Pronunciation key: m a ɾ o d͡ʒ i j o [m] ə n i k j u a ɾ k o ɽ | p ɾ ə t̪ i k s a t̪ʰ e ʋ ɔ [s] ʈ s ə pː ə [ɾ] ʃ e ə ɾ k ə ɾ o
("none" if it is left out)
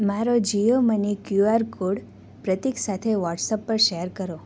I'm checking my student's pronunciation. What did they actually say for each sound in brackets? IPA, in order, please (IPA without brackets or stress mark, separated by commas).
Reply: m, none, ɾ